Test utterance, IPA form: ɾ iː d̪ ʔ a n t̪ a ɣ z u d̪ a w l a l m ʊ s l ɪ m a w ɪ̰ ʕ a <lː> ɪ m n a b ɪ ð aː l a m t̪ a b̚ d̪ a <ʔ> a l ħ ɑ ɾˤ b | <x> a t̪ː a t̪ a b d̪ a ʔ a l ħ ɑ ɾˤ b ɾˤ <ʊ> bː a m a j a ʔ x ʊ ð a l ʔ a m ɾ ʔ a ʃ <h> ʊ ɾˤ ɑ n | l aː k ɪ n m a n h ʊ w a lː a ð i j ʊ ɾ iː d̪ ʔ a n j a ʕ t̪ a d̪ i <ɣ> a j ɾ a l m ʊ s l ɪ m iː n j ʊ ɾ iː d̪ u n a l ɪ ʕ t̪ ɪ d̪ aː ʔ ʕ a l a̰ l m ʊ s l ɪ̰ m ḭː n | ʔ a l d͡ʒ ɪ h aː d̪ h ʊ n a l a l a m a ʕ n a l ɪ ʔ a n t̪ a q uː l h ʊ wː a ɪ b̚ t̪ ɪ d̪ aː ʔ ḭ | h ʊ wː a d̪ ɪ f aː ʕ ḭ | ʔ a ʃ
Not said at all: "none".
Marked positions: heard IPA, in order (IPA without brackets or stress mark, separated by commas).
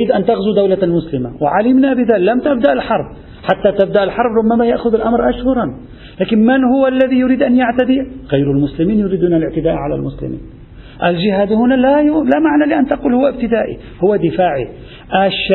l, ʔ, ħ, ʊ, h, ɣ